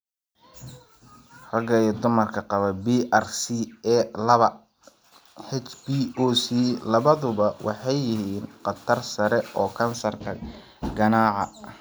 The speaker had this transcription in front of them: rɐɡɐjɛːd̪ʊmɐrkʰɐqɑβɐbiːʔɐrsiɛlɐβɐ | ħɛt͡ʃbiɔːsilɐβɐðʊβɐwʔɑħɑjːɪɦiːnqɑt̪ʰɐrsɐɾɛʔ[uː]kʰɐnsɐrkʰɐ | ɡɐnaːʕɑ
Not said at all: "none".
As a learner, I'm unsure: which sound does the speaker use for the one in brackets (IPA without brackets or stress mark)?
ɔː